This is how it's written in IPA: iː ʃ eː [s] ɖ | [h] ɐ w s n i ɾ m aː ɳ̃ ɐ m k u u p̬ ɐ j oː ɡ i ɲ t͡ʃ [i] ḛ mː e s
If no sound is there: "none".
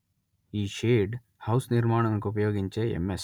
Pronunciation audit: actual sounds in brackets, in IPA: none, h, e

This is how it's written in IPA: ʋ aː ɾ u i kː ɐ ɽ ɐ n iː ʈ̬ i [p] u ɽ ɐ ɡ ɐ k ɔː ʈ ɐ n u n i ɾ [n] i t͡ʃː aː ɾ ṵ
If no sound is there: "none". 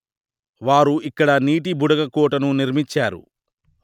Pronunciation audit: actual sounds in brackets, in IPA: b, m

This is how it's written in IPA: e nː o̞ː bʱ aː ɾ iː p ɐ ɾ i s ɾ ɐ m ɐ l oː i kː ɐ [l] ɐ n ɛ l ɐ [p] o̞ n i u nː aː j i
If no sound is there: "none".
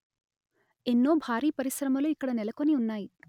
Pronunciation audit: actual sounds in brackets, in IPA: ɽ, k

